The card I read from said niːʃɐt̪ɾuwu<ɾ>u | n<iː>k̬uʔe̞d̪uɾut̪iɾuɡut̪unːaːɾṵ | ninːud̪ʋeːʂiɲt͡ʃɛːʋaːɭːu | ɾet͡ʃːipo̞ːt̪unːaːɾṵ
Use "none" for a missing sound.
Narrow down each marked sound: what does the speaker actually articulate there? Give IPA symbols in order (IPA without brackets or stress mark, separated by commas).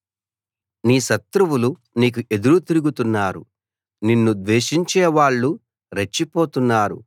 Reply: l, iː